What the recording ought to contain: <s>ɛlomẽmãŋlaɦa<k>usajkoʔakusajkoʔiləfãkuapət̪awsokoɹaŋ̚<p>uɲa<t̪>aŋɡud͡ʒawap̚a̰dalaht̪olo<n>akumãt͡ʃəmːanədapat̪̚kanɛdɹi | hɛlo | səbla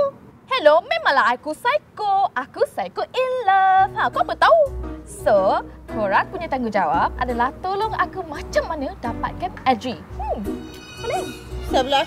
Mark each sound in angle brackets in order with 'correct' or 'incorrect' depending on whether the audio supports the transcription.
incorrect, correct, correct, correct, incorrect

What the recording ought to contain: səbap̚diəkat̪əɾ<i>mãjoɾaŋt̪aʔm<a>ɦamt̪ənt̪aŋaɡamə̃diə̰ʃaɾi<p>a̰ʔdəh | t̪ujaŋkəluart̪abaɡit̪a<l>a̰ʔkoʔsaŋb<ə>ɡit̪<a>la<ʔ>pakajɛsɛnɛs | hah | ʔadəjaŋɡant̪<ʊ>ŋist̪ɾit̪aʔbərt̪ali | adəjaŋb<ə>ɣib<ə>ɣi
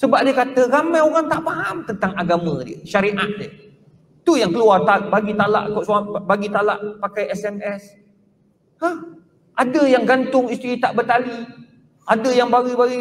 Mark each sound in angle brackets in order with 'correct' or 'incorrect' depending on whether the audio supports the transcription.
incorrect, correct, incorrect, correct, incorrect, correct, correct, correct, incorrect, incorrect

